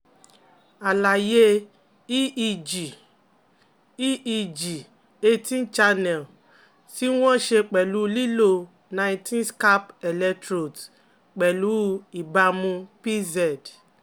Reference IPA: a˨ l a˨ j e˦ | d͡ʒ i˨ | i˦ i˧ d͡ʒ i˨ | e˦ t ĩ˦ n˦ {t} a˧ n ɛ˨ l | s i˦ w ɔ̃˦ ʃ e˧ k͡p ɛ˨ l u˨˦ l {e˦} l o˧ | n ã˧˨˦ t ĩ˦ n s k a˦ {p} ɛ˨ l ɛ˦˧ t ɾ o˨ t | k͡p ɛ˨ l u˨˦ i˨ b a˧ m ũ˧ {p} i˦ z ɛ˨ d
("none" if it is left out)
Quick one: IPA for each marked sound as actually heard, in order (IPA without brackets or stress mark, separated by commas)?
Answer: t͡ʃ, i˦, p, p